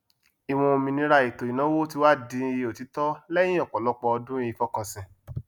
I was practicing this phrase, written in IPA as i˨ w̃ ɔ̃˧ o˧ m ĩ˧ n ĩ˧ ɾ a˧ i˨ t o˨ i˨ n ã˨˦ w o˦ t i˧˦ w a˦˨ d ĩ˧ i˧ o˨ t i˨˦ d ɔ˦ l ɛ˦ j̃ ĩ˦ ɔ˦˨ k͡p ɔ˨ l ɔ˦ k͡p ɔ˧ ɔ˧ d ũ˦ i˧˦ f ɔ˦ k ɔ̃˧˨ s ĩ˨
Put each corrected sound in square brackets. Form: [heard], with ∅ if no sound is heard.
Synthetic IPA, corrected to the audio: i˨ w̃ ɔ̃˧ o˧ m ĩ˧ n ĩ˧ ɾ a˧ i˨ t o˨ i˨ n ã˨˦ w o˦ t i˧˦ w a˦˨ d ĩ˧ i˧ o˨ t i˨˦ [t] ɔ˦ l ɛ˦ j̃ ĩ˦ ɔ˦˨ k͡p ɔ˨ l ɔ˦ k͡p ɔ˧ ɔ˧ d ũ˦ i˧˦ f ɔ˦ k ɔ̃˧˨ s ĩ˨